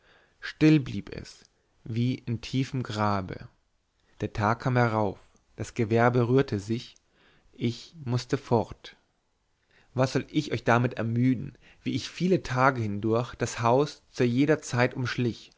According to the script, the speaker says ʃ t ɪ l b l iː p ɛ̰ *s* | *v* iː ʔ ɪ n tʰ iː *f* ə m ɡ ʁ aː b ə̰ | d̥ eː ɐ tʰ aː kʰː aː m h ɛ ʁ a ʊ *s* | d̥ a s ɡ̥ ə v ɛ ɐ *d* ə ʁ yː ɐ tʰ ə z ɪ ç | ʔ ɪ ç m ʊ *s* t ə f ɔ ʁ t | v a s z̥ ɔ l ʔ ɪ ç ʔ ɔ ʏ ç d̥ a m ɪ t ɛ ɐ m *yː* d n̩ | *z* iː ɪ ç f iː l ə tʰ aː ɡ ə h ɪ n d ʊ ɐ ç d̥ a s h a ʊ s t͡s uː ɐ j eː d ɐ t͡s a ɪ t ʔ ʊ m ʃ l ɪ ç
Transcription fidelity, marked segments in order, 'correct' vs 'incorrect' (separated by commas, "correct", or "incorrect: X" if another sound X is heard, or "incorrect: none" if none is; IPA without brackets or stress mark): correct, correct, correct, incorrect: f, incorrect: b, correct, correct, incorrect: v